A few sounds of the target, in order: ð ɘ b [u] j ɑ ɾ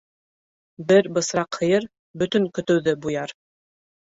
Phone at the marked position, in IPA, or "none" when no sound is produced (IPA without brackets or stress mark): u